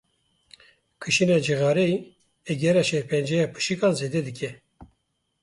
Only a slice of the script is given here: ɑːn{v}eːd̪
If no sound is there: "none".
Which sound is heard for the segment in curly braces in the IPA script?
z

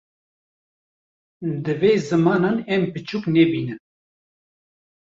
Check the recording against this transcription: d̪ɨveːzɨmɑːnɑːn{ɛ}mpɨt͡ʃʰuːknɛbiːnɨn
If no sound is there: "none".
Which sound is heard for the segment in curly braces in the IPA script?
ɛ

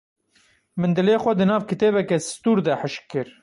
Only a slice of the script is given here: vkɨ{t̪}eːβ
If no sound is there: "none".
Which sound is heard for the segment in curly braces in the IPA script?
t̪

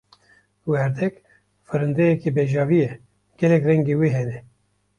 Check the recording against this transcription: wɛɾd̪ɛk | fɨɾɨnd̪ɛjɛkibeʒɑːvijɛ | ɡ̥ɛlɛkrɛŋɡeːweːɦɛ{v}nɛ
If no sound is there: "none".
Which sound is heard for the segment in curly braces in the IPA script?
none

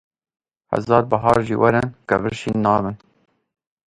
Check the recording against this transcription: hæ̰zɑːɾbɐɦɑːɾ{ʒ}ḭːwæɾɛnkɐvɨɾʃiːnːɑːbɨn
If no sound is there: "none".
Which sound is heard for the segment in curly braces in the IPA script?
ʒ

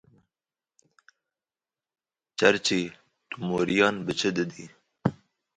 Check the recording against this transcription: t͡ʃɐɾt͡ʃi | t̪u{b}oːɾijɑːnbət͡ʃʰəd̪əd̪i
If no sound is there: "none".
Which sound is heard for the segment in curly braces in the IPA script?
m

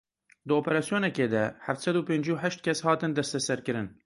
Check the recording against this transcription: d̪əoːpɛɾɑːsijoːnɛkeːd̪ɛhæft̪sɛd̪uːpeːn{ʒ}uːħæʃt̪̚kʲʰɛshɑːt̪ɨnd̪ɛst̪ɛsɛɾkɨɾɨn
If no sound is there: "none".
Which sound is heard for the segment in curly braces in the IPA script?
d͡ʒ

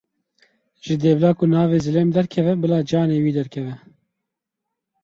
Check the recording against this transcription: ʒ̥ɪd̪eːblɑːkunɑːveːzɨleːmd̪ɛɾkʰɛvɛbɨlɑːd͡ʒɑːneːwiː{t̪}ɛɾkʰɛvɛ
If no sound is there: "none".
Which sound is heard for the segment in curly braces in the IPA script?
d̪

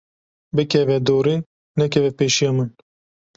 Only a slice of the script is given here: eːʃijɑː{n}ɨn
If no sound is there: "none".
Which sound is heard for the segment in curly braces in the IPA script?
m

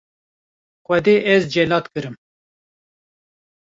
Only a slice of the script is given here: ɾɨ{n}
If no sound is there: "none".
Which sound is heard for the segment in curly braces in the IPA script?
m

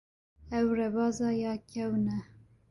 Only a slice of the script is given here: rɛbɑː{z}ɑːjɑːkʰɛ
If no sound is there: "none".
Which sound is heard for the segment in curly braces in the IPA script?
z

